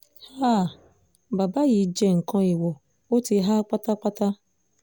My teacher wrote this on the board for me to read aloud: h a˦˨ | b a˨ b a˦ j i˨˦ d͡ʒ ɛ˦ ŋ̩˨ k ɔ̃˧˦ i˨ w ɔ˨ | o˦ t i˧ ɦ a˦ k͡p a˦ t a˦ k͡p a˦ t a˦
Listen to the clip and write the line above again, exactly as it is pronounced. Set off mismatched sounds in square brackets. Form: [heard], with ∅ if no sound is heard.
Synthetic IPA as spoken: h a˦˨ | b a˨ b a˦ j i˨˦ d͡ʒ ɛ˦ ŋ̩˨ k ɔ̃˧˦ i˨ w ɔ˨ | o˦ t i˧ ɦ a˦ k͡p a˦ t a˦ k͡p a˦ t a˦